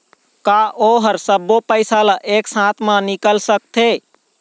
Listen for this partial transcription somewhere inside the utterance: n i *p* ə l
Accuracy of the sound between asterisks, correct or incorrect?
incorrect